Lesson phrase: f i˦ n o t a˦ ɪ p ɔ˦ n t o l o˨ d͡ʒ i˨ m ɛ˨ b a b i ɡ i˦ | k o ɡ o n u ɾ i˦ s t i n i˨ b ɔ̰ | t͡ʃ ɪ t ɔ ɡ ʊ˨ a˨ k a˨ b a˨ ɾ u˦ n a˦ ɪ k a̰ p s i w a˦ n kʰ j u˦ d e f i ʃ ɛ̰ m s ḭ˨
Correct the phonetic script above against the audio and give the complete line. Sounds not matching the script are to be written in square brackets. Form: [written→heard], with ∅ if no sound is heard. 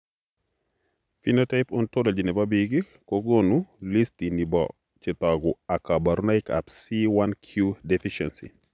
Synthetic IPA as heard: f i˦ n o t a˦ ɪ p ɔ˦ n t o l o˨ d͡ʒ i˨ [m→n] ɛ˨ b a b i ɡ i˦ | k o ɡ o n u [ɾ→l] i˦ s t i n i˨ b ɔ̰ | t͡ʃ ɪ t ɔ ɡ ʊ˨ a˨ k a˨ b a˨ ɾ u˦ n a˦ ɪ k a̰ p s i w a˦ n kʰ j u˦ d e f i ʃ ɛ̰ [m→n] s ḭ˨